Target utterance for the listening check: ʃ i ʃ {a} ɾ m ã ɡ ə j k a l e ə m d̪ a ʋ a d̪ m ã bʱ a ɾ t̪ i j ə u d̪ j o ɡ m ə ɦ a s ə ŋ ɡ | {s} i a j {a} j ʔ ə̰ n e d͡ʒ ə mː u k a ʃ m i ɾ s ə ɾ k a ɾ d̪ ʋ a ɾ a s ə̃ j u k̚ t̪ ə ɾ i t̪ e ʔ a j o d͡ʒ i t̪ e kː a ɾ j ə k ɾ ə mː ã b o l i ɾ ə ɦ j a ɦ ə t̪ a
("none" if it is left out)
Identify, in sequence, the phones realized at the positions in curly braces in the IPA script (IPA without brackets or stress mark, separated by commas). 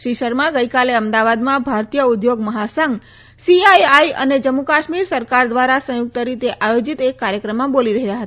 ə, s, a